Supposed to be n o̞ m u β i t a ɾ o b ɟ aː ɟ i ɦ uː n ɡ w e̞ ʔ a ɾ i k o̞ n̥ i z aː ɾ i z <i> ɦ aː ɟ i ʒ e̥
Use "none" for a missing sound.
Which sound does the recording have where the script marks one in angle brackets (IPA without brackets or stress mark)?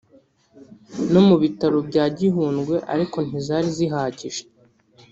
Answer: i